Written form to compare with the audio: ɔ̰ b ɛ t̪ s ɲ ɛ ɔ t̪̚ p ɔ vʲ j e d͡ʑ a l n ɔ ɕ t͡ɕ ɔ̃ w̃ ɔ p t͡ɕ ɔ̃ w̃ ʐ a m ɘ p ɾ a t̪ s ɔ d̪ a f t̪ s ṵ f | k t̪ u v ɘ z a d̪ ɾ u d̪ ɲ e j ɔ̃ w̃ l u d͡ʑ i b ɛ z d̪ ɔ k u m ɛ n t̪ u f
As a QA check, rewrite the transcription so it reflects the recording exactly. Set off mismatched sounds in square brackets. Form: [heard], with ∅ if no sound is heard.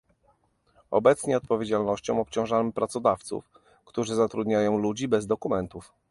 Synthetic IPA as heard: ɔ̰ b ɛ t̪ s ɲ ɛ ɔ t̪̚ p ɔ vʲ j e d͡ʑ a l n ɔ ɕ t͡ɕ ɔ̃ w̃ ɔ p t͡ɕ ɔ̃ w̃ ʐ a m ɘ p ɾ a t̪ s ɔ d̪ a f t̪ s ṵ f | k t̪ u [ʐ] ɘ z a [t̪] ɾ u d̪ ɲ [a] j ɔ̃ w̃ l u d͡ʑ i b ɛ z d̪ ɔ k u m ɛ n t̪ u f